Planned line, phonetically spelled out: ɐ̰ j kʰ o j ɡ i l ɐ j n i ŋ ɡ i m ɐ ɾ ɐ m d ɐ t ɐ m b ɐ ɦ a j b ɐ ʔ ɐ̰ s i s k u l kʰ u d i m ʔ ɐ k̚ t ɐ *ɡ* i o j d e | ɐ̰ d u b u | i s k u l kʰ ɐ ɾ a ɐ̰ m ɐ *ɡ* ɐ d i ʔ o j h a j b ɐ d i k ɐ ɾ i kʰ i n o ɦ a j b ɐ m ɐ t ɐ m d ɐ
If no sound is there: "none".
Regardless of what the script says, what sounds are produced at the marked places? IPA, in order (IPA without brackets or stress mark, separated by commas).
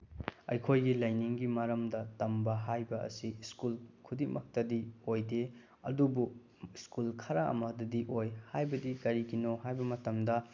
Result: d, d